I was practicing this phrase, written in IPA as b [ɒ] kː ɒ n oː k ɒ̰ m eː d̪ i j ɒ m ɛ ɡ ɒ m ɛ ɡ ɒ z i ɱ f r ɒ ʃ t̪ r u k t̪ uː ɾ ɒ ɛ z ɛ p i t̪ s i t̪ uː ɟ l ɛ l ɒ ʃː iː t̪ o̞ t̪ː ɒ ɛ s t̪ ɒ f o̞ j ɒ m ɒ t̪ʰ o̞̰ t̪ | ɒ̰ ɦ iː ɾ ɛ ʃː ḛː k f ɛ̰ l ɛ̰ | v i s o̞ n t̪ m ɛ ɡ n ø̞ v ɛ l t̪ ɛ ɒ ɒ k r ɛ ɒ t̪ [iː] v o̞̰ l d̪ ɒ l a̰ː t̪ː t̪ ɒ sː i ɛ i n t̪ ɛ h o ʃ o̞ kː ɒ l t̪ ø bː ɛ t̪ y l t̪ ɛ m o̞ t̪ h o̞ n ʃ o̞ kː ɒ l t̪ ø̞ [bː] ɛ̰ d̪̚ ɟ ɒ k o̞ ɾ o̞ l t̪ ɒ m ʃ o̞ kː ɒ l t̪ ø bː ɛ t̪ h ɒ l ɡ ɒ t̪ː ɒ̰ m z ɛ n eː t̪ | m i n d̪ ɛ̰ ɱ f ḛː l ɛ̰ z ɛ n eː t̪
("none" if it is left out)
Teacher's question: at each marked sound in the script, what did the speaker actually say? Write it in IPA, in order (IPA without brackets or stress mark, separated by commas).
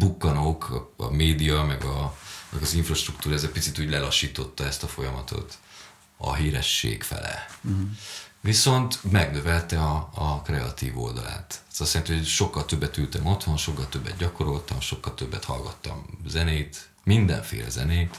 u, iː, bː